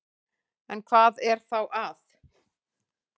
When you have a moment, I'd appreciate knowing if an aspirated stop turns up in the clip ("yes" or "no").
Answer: yes